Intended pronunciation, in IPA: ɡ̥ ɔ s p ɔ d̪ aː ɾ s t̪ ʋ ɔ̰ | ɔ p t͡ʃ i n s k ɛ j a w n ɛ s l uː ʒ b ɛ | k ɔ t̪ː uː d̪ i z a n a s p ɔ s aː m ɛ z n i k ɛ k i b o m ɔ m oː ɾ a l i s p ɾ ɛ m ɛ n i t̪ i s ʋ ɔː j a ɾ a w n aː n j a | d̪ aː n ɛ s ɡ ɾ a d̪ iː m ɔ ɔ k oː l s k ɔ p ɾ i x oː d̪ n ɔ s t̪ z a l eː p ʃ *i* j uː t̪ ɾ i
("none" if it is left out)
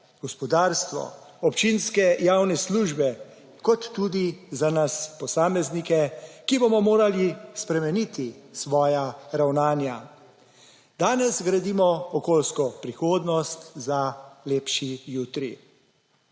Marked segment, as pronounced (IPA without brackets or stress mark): i